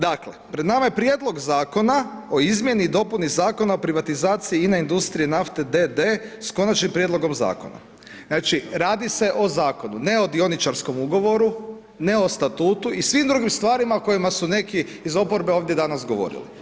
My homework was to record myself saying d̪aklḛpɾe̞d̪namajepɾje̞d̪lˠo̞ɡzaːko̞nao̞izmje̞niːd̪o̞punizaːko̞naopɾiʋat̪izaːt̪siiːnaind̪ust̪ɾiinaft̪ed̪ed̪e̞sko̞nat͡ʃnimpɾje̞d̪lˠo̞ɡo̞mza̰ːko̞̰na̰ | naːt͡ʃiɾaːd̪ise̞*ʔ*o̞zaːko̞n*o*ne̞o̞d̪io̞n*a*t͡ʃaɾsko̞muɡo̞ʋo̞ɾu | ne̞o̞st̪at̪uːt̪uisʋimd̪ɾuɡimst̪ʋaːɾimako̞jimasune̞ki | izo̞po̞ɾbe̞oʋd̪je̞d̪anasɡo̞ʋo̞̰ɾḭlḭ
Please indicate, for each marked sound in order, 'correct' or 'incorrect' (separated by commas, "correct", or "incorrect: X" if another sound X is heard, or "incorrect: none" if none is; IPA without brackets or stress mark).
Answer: correct, incorrect: u, incorrect: i